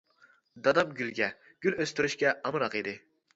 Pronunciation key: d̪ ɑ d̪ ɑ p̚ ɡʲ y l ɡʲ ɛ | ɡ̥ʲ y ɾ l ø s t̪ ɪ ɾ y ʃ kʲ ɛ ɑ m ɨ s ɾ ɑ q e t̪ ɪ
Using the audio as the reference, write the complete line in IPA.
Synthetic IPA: d̪ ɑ d̪ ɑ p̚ ɡʲ y l ɡʲ ɛ | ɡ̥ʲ y l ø s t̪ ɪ ɾ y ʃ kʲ ɛ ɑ m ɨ ɾ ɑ q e d̪ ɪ